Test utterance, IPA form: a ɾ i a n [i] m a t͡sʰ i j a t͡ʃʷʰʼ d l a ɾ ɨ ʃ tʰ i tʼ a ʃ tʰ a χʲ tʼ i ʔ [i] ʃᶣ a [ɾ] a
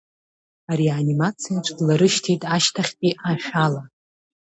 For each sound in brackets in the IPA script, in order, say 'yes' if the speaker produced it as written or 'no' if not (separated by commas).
yes, no, no